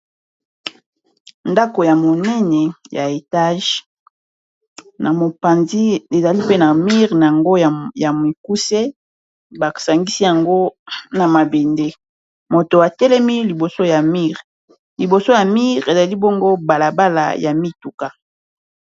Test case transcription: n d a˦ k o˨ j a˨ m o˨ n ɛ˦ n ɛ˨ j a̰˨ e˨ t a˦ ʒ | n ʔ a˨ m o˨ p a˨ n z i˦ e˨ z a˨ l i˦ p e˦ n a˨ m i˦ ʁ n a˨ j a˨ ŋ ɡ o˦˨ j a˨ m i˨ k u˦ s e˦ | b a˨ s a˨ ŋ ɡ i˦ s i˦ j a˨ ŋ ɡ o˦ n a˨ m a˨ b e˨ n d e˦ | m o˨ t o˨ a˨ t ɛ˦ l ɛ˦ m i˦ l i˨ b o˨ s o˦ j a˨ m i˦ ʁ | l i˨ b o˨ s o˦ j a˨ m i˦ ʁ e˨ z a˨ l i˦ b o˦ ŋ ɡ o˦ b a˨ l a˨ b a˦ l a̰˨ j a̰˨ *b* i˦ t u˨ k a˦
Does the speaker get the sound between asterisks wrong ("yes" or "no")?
yes